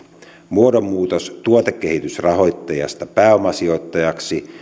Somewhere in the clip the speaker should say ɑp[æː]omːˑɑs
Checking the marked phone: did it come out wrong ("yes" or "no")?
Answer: no